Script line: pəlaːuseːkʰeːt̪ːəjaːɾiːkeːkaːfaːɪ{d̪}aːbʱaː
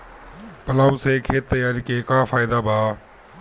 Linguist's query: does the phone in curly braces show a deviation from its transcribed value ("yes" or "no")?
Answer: no